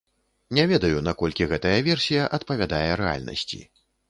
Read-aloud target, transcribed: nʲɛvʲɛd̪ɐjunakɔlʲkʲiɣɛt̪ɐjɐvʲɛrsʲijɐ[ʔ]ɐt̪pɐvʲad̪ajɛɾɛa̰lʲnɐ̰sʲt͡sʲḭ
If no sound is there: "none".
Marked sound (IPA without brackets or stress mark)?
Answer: ʔ